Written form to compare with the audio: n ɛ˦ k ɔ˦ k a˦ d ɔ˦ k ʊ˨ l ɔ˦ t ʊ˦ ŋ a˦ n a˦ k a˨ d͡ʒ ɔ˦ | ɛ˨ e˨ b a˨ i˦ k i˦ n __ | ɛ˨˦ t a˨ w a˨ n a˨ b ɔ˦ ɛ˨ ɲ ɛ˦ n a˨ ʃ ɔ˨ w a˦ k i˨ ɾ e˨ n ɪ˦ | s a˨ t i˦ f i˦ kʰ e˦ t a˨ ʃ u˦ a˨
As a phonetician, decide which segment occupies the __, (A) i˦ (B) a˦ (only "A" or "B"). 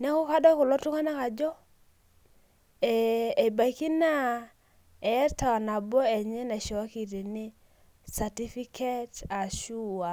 B